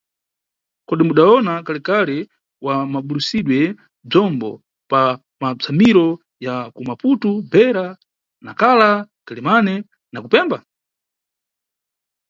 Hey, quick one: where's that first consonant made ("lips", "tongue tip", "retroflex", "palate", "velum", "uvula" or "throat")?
velum